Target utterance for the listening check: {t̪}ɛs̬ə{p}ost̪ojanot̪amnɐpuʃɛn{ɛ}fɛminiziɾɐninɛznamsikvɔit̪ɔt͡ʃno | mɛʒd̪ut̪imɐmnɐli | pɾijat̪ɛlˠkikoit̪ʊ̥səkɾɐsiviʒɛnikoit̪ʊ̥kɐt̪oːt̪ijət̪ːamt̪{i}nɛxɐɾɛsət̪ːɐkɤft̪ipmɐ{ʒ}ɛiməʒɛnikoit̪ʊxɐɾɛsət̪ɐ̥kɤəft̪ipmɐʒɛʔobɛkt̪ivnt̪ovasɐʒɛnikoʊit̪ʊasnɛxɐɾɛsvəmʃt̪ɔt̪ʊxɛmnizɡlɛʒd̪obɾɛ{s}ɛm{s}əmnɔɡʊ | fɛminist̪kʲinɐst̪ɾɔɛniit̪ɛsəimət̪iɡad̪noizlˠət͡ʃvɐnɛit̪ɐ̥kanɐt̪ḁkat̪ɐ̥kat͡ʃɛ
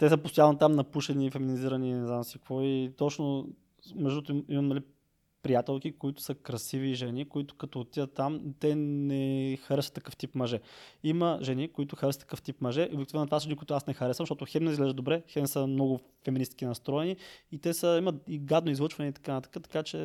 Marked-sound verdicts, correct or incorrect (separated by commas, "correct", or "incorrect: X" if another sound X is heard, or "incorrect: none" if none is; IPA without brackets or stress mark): correct, correct, incorrect: i, incorrect: ɛ, correct, incorrect: x, correct